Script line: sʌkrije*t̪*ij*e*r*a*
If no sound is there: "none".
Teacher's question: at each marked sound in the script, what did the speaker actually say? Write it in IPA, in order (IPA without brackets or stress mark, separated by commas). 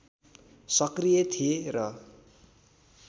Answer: t̪ʰ, e, ʌ